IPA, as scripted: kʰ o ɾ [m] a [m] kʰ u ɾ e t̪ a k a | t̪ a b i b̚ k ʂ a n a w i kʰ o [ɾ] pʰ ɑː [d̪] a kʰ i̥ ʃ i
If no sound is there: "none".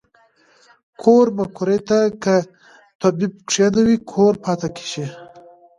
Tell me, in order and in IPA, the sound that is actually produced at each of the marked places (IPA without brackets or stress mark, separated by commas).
m, none, ɾ, t̪